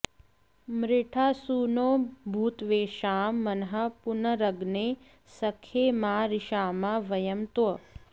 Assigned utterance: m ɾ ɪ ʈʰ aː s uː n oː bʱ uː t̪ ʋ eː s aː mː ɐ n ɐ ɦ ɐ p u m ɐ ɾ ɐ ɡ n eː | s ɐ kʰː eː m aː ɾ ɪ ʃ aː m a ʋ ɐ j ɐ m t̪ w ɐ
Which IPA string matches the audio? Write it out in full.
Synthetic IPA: m ɾ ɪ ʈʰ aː s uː n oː bʱ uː t̪ ʋ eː ʃ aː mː ɐ n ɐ ɦ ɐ p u n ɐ ɾ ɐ ɡ n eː | s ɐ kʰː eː m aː ɾ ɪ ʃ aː m a ʋ ɐ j ɐ m t̪ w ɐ